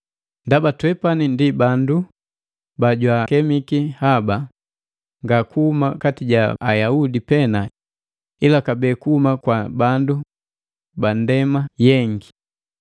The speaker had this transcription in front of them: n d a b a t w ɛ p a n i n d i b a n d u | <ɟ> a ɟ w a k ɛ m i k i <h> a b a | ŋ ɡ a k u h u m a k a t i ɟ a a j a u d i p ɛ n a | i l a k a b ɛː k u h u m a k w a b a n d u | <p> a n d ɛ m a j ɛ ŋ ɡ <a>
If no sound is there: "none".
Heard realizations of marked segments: b, h, b, i

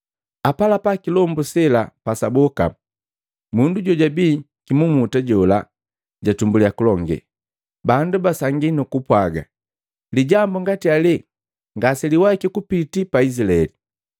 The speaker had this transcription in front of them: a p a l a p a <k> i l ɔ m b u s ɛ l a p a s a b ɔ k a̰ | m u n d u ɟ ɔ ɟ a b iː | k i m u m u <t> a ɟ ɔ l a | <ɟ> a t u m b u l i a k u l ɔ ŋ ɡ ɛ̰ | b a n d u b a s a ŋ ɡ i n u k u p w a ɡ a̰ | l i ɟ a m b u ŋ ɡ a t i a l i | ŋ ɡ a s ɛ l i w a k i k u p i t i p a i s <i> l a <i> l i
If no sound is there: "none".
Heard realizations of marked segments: k, t, ɟ, i, ɛ

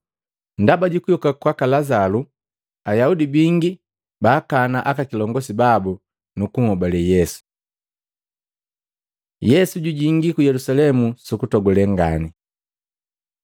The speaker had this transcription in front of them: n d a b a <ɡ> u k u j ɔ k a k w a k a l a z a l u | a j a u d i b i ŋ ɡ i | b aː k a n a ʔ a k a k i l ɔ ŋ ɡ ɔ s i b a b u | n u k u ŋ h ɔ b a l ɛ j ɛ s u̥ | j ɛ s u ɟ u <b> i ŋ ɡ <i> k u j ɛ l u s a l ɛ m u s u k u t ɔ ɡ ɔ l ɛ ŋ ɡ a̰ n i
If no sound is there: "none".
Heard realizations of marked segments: ɟ, ɟ, i

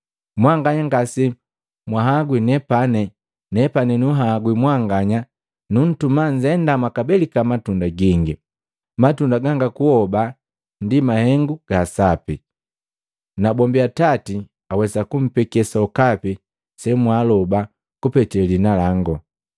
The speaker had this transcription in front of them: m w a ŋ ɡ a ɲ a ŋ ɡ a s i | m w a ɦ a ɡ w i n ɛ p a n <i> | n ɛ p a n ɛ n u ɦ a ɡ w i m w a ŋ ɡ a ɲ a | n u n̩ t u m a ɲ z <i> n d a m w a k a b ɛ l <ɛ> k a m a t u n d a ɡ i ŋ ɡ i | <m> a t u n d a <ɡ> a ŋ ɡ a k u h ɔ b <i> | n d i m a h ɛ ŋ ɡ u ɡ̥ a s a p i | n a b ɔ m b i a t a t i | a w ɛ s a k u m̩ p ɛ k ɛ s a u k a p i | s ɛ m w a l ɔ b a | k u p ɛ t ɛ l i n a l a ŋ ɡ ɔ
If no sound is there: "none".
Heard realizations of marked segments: ɛ, ɛ, i, m, ɡ, a

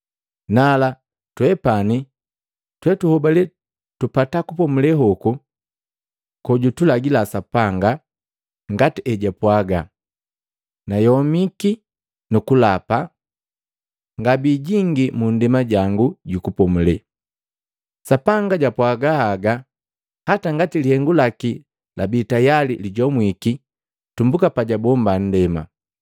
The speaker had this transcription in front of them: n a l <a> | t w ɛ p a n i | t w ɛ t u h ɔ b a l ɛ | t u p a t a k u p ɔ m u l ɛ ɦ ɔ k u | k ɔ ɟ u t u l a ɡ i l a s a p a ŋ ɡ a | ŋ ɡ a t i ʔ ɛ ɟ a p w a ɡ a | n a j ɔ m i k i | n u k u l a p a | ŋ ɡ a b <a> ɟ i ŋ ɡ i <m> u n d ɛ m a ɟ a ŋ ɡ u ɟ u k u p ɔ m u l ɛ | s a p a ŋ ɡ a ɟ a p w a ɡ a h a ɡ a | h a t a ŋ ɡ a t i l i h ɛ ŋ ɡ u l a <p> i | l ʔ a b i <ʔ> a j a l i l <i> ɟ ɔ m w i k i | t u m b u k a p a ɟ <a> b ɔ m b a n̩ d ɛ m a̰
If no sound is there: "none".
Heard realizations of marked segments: a, i, m, k, t, i, a

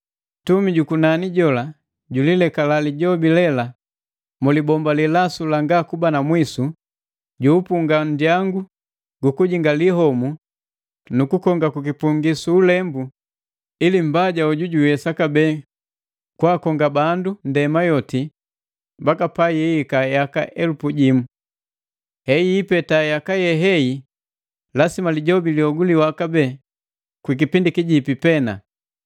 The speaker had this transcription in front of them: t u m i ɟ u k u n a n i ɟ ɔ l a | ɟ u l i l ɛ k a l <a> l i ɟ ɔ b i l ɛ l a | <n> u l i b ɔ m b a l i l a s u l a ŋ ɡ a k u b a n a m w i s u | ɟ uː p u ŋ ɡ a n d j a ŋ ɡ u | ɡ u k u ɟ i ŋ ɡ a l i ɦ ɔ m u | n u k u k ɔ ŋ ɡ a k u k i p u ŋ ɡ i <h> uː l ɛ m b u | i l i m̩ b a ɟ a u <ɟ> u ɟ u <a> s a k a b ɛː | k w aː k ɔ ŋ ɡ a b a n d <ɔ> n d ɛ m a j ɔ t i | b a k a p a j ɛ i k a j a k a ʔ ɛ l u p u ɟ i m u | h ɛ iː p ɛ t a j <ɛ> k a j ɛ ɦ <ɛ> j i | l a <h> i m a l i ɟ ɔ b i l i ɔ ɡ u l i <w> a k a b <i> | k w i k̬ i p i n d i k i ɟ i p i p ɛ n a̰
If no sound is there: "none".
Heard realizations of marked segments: a, m, s, ɟ, ɛ, u, a, ɛ, s, w, ɛ

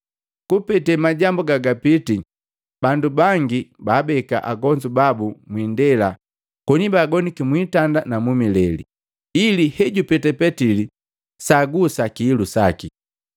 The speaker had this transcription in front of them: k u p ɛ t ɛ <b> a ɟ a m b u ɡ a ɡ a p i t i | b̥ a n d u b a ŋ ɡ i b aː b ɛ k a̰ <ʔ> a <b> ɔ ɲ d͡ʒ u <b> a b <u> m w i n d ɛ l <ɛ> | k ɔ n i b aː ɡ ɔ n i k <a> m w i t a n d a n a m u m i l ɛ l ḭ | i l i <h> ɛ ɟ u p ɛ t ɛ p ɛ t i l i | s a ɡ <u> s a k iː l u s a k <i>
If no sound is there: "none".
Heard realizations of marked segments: m, ʔ, ɡ, b, u, a, i, h, u, i

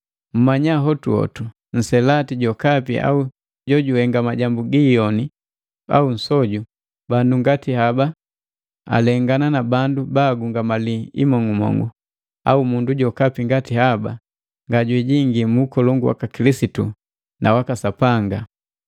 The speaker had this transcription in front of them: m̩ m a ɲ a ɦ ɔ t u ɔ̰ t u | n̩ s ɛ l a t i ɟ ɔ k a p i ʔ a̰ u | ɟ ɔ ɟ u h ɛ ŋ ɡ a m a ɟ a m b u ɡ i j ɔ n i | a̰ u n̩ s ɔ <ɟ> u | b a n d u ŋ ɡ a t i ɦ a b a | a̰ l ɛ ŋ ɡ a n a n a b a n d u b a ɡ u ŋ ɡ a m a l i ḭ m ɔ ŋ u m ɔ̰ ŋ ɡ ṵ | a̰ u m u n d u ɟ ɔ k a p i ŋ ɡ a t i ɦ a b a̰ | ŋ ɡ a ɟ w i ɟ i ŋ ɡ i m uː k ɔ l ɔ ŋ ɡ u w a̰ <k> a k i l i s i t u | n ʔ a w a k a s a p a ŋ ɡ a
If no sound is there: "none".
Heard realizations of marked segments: ɟ, k

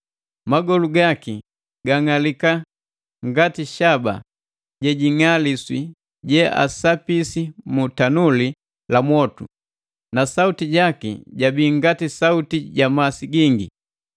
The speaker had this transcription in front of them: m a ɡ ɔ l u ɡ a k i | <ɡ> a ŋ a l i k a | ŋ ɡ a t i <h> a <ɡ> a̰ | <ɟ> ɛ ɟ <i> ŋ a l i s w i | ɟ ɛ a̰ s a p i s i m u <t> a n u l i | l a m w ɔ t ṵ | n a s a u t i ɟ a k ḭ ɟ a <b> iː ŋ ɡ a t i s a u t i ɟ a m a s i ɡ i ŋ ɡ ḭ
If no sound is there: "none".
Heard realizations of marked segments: ɡ, ʃ, b, ɟ, i, t, b

